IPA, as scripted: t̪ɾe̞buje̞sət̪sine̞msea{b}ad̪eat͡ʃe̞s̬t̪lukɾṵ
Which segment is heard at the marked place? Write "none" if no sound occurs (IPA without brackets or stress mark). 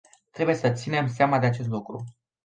m